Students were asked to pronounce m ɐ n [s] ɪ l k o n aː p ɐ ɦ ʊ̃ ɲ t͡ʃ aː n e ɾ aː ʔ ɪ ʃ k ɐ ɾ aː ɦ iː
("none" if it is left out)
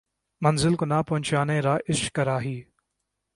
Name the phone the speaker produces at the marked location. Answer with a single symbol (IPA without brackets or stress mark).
z